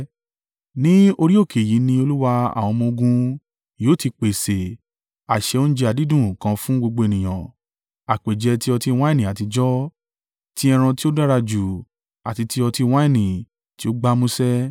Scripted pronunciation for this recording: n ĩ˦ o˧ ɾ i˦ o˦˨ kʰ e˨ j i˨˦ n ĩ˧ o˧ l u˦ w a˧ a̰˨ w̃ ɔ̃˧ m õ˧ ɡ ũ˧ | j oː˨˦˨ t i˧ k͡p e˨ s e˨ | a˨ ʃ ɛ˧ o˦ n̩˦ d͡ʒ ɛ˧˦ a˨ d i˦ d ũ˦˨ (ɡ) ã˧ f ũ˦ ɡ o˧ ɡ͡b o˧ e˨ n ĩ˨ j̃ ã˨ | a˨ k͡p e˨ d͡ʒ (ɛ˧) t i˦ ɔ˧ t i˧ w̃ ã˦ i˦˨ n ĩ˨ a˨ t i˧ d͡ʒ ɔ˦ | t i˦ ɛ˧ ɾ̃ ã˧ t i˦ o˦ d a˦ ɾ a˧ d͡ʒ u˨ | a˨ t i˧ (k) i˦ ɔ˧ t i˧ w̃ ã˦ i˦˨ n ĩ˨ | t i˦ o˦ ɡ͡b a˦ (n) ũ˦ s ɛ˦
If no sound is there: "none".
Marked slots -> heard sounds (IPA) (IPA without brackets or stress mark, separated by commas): k, ɛ˧, t, m